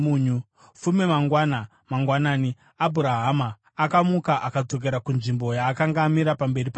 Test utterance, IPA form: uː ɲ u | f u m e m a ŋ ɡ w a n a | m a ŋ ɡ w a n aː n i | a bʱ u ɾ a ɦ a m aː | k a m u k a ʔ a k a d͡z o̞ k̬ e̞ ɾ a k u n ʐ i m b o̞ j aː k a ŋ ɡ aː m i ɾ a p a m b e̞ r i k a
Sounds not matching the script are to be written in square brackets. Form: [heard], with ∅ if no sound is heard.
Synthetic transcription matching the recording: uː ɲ u | f u m e m a ŋ ɡ w a n a | m a ŋ ɡ w a n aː n i | a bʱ u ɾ a ɦ a m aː | k a m u k a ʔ a k a d͡z o̞ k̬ e̞ ɾ a k u n ʐ i m b o̞ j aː k a ŋ ɡ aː m i ɾ a p a m b e̞ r i [p] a